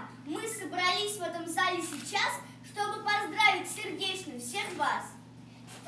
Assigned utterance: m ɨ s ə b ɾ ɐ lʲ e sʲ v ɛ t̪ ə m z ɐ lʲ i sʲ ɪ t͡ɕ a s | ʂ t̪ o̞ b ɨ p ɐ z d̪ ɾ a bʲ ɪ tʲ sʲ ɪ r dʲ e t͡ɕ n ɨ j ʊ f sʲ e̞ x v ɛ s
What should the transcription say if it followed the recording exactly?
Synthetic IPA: m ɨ s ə b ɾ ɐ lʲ i sʲ v ɛ t̪ ə m z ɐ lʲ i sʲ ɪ t͡ɕ a s | ʂ t̪ o̞ b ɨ p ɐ z d̪ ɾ a vʲ ɪ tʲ sʲ ɪ r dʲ e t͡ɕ n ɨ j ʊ f sʲ e̞ x v a s